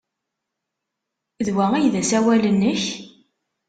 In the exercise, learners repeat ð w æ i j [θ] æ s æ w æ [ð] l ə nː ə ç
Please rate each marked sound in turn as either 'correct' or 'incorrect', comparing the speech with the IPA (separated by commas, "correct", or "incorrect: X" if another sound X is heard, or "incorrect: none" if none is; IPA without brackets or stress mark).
incorrect: ð, incorrect: none